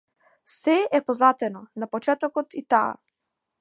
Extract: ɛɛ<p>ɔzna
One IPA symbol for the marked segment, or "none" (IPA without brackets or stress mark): p